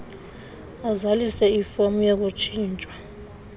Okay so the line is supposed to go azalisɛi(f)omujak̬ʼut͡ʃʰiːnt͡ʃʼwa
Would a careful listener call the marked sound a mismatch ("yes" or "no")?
no